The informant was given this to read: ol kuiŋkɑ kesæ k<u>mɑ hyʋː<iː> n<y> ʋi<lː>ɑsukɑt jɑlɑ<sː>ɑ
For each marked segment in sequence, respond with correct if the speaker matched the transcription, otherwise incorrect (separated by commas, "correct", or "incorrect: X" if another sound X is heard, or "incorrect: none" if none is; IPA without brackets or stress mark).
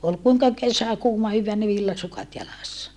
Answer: incorrect: uː, incorrect: æː, incorrect: i, correct, correct